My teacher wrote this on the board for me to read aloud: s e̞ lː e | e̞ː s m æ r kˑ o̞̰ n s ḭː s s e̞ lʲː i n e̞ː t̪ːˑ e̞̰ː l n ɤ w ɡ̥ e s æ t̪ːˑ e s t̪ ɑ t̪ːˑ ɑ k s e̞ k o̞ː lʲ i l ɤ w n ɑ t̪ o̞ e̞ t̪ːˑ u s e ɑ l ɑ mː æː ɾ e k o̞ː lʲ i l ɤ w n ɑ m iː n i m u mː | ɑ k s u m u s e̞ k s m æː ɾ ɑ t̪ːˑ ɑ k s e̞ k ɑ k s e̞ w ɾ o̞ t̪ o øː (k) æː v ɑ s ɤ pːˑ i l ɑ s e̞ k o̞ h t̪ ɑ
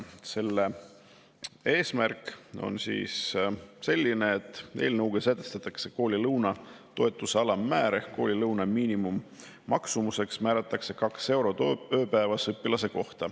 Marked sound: incorrect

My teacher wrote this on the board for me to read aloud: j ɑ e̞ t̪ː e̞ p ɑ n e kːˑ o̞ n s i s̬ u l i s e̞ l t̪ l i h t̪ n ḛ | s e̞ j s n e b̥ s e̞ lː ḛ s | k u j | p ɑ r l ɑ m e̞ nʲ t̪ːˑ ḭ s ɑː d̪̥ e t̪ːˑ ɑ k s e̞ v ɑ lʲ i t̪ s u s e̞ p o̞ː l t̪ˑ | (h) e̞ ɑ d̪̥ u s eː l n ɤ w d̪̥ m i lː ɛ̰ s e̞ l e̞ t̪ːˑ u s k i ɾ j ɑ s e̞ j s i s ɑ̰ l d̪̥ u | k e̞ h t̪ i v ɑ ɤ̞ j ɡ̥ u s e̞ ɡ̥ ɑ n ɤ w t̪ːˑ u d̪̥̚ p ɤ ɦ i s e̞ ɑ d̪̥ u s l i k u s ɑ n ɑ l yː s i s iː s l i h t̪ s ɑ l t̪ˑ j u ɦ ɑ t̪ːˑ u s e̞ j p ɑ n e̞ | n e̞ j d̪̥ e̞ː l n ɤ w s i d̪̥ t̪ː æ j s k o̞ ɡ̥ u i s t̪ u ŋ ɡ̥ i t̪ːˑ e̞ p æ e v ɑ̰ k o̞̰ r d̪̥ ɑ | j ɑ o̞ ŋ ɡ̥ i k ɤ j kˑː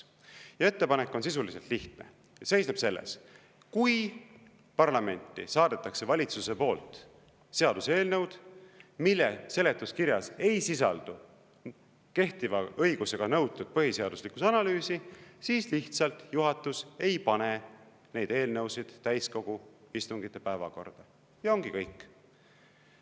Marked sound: incorrect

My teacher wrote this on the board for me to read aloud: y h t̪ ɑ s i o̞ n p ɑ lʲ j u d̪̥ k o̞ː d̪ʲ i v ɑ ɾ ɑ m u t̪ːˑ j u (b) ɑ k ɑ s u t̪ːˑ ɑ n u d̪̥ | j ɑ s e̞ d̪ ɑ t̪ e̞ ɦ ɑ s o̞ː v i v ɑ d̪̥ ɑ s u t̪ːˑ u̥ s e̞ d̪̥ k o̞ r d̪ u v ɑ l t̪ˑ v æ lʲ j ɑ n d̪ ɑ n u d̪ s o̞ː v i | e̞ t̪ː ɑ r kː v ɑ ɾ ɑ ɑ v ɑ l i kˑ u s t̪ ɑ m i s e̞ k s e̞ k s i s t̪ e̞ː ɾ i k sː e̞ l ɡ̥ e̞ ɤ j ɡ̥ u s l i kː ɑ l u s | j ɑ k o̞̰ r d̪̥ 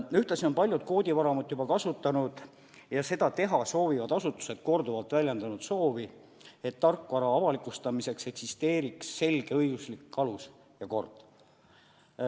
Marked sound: correct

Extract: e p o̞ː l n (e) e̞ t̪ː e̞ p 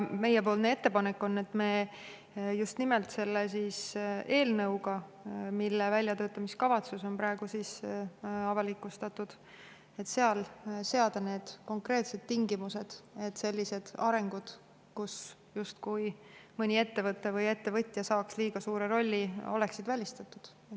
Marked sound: correct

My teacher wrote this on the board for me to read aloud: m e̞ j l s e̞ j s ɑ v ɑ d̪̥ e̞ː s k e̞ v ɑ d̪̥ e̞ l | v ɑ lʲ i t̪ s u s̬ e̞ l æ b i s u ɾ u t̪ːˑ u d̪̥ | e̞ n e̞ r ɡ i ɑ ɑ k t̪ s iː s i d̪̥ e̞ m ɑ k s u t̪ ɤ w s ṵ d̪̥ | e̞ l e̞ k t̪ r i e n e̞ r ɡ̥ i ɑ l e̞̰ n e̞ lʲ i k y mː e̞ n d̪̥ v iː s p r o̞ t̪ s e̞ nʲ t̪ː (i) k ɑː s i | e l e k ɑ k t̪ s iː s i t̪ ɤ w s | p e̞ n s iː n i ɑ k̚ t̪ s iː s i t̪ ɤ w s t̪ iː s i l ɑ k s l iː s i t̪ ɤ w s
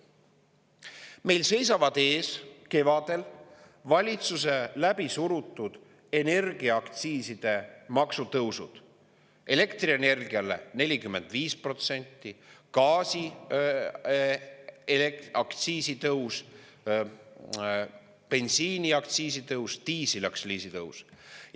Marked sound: correct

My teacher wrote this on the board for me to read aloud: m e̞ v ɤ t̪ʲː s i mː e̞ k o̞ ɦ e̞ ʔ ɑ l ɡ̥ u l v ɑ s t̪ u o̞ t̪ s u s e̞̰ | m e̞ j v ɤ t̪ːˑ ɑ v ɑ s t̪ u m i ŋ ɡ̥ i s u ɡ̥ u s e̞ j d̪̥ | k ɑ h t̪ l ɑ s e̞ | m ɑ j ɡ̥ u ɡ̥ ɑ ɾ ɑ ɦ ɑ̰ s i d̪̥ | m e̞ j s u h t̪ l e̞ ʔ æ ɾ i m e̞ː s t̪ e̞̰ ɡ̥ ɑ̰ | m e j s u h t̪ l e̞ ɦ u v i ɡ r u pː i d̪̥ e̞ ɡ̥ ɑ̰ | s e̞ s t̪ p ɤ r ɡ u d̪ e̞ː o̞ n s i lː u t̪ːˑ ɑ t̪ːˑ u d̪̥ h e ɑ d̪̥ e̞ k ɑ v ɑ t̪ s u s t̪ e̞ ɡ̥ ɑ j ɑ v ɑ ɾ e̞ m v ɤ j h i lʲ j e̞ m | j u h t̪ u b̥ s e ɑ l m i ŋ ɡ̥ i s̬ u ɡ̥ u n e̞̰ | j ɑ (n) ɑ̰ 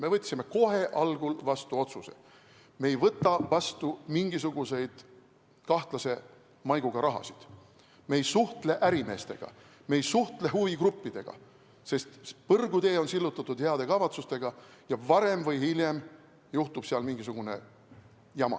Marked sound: incorrect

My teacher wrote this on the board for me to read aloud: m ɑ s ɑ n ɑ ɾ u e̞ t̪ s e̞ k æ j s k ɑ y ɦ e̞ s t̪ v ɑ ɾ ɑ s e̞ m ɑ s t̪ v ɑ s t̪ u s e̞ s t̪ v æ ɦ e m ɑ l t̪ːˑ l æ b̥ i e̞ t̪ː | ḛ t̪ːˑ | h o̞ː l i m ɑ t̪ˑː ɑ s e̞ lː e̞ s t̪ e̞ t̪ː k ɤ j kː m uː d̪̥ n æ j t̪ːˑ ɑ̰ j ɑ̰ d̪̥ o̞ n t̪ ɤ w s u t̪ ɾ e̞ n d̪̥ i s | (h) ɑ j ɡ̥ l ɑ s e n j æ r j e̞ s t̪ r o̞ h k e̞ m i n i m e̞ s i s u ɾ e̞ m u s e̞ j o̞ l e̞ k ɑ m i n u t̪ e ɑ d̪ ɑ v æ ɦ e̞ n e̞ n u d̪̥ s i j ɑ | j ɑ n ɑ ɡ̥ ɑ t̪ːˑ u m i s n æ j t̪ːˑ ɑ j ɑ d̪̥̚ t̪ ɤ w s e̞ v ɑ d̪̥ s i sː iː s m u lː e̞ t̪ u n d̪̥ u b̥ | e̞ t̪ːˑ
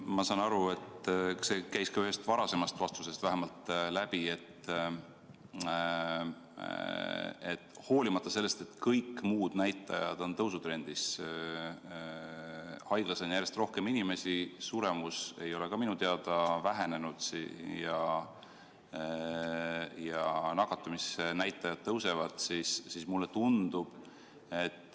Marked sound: correct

